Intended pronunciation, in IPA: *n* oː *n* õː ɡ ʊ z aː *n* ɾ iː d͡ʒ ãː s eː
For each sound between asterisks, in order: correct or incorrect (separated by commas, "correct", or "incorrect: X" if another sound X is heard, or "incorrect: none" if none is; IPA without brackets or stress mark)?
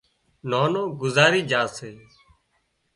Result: correct, correct, incorrect: none